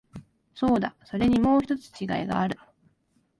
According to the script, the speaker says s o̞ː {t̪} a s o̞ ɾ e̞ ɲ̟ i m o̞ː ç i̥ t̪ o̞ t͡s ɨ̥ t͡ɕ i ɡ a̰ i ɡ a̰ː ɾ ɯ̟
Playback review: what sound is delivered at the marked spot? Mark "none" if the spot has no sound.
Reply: d̪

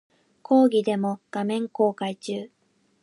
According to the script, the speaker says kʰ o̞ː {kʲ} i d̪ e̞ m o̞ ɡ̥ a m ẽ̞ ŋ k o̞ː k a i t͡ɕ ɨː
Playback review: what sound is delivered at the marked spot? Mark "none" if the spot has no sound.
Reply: ɡʲ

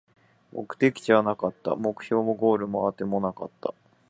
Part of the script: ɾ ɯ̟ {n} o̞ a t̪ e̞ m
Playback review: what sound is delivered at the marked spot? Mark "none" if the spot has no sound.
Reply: m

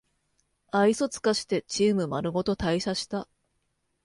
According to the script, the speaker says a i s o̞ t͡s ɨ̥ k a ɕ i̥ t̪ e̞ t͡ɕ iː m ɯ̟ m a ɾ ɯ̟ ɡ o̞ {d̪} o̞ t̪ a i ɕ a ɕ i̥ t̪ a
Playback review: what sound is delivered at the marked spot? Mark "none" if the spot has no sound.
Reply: t̪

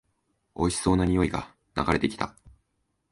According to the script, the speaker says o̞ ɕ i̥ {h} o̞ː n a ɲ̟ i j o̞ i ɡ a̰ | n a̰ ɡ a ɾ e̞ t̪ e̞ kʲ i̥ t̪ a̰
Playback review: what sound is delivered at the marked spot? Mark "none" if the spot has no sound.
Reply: s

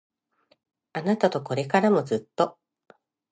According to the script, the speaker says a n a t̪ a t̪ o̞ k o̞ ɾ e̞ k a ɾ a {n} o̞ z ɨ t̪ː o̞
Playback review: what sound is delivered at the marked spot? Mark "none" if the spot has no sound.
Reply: m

